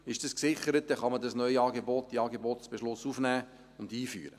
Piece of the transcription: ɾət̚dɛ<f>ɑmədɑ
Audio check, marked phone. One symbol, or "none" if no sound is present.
χ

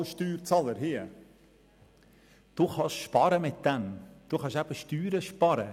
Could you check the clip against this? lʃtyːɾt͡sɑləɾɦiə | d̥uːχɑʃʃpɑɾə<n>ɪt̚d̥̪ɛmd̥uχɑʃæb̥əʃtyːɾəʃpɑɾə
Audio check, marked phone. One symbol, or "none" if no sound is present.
m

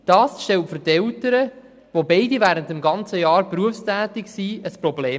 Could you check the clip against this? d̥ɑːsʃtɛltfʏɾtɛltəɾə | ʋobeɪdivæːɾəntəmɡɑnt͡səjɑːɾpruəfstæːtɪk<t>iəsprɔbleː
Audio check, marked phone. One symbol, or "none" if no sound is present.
s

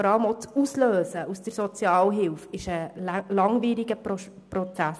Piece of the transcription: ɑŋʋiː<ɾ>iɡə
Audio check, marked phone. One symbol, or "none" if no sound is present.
ɾ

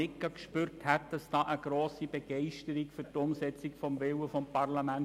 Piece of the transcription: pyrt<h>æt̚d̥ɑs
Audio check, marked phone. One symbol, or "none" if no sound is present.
h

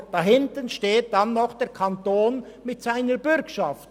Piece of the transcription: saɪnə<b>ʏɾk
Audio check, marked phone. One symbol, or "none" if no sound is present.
b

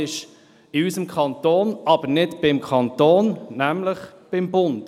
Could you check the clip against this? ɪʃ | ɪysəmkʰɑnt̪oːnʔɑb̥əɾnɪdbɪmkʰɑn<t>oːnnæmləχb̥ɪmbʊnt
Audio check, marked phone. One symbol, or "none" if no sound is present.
t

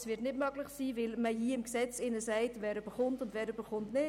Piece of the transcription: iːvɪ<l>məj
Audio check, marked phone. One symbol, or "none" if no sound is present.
l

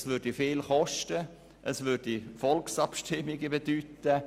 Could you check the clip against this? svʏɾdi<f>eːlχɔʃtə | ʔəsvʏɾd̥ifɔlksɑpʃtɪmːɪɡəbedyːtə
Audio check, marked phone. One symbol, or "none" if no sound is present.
f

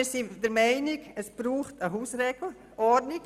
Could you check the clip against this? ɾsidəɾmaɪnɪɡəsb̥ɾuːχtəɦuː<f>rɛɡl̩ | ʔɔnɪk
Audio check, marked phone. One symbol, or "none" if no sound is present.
s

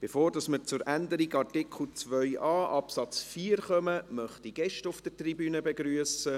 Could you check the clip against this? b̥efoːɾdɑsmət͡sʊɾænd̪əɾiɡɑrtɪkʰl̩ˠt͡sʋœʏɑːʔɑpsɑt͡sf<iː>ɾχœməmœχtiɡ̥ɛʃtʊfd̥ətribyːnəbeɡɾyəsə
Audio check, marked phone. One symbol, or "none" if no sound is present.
iː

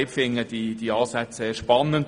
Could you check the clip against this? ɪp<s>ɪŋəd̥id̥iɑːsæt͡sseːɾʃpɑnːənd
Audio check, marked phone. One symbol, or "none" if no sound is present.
f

